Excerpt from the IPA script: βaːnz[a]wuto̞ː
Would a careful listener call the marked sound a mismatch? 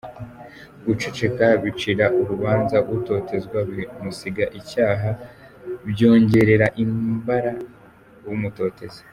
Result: no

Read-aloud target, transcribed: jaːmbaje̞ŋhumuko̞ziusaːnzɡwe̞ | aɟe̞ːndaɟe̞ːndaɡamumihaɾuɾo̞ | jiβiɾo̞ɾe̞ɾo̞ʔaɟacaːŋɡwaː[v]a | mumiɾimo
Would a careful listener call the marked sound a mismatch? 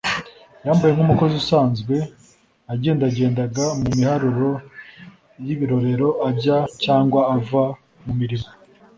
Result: no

